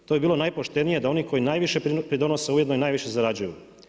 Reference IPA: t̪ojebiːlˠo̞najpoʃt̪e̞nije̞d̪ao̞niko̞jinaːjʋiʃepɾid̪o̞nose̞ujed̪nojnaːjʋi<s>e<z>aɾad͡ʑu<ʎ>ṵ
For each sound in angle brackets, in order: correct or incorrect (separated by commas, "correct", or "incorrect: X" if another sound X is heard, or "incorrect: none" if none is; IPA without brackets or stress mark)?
incorrect: ʃ, correct, incorrect: j